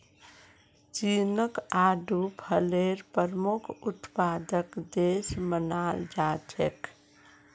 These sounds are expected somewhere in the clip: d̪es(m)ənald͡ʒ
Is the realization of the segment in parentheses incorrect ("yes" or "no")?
no